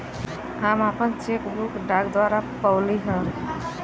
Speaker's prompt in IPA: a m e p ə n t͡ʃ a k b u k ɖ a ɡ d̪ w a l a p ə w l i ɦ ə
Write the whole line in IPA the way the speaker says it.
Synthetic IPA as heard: a m a p ə n t͡ʃ e k b u k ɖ a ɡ d̪ w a ɾ a p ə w l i ɦ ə